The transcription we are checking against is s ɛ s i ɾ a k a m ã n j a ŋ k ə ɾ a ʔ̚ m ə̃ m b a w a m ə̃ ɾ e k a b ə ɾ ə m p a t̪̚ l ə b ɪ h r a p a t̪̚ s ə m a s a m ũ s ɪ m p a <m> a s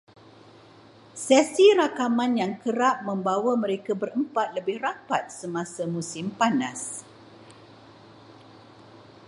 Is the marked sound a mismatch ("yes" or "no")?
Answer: yes